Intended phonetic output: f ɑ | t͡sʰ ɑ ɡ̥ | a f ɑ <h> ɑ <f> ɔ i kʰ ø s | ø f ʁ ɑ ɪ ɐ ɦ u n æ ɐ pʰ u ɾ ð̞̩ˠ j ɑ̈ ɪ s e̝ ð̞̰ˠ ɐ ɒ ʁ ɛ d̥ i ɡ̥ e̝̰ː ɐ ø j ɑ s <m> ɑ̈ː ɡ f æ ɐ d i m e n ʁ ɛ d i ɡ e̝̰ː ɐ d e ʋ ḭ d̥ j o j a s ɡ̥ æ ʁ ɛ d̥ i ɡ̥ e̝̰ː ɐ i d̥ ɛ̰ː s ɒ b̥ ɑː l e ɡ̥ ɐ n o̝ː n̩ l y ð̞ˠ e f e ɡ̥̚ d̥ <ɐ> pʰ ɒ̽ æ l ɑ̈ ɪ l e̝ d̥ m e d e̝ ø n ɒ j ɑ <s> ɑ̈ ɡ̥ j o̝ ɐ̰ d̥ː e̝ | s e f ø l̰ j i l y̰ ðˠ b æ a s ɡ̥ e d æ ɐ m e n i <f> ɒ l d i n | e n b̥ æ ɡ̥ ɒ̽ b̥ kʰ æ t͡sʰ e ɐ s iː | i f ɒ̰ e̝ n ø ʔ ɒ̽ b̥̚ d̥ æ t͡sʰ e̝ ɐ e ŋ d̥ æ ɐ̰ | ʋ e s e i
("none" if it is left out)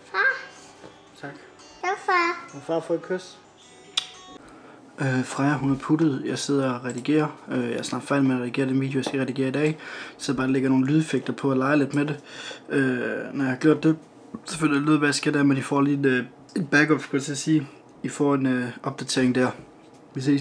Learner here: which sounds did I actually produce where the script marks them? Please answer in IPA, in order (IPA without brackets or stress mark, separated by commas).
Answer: f, f, n, ɐ, h, f